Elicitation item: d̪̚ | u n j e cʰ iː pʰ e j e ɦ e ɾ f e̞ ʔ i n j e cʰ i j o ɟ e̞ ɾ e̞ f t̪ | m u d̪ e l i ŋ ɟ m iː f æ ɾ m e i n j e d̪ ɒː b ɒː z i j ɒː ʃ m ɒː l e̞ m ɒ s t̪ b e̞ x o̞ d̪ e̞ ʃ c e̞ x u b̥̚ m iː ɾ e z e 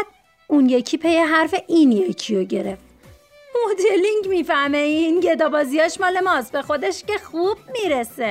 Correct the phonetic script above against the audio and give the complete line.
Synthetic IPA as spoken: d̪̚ | u n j e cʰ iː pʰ e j e ɦ æ ɾ f e̞ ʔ i n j e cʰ i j o ɟ e̞ ɾ e̞ f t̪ | m o d̪ e l i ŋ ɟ m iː f æ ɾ m e i n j e d̪ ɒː b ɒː z i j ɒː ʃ m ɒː l e̞ m ɒ s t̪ b e̞ x o̞ d̪ e̞ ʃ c e̞ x u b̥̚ m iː ɾ e s e